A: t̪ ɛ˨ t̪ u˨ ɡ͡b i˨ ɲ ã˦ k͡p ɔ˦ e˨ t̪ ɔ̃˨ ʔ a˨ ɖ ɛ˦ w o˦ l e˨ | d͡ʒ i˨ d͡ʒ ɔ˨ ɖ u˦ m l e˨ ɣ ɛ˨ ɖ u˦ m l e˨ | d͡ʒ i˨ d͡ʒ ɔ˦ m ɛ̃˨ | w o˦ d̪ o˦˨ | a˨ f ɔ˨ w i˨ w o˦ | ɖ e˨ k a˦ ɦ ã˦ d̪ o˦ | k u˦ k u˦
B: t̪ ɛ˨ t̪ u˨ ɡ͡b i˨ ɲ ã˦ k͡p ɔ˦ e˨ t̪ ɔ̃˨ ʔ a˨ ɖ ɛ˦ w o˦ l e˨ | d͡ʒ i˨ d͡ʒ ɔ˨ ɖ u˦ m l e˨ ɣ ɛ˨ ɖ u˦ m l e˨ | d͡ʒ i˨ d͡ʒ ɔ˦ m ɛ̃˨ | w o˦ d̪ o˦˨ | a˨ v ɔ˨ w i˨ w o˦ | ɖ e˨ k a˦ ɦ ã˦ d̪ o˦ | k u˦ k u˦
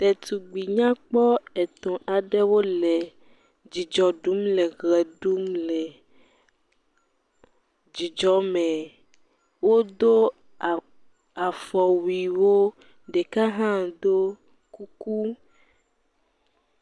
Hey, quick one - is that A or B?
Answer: A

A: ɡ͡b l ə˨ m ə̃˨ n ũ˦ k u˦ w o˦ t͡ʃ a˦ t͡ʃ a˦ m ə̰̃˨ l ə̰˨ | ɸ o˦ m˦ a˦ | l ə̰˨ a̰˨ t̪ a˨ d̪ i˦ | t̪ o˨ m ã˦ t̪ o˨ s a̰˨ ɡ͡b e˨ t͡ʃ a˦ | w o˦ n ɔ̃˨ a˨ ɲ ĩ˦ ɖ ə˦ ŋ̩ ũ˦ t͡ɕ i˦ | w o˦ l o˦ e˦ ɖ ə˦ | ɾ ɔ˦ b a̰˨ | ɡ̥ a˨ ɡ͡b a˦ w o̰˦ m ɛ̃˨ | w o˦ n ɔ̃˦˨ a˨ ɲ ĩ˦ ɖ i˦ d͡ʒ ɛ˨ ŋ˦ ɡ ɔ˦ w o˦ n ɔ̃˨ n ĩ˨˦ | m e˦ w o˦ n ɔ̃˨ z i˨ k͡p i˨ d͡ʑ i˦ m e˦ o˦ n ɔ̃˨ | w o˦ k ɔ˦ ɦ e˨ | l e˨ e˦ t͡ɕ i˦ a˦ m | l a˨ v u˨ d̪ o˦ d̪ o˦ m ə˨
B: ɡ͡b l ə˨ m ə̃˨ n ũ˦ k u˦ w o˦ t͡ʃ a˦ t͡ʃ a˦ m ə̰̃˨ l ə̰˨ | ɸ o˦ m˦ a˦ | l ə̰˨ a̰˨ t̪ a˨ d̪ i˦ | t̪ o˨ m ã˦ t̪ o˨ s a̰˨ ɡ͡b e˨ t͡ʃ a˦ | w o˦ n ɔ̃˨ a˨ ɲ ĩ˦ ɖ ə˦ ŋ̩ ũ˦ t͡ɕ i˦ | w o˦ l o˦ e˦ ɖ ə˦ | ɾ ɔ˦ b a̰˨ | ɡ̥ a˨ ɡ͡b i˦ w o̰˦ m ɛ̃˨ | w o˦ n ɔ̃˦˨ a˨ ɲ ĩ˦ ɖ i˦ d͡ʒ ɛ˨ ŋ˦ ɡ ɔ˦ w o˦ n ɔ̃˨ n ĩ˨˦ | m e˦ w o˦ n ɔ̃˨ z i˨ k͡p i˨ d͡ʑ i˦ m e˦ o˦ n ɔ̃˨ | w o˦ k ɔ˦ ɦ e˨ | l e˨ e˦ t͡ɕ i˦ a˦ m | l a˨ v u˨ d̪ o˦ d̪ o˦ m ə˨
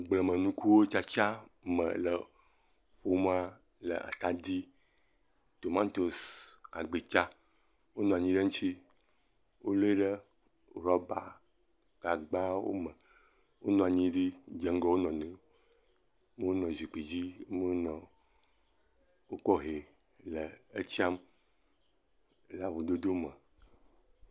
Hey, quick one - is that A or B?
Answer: A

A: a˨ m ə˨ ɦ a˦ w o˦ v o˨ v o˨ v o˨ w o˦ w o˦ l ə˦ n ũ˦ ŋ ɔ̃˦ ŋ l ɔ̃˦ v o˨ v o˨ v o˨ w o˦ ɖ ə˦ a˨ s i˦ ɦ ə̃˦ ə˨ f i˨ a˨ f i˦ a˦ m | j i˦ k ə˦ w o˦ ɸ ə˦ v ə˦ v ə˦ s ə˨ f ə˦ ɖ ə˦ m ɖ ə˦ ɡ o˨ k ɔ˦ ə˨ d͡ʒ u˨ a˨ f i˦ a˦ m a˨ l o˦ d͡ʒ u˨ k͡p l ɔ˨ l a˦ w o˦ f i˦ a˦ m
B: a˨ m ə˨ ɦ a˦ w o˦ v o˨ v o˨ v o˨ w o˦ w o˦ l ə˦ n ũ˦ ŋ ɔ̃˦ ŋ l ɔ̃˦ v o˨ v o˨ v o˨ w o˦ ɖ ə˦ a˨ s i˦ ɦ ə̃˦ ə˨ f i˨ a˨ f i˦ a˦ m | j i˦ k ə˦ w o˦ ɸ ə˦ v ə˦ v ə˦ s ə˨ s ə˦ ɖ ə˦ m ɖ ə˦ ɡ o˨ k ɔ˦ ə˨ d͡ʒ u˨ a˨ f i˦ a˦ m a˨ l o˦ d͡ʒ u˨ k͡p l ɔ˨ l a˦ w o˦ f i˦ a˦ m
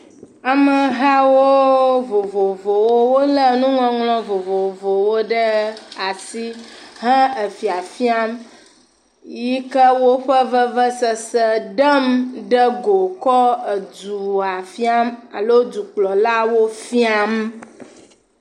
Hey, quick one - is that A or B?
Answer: B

